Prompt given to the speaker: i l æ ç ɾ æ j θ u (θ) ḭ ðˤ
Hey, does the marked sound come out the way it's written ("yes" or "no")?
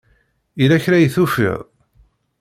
no